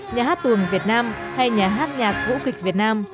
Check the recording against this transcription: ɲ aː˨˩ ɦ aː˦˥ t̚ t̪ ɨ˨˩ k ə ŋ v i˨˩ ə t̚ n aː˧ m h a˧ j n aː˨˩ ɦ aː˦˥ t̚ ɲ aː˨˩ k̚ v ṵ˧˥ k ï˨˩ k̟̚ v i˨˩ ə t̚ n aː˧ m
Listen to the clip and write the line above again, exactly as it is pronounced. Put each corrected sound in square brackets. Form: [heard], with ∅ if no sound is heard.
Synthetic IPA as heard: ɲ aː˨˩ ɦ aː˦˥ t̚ t̪ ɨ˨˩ [∅] ə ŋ v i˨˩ ə t̚ n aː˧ m h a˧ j [ɲ] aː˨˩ ɦ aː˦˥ t̚ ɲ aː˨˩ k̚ v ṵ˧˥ k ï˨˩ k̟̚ v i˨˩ ə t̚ n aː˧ m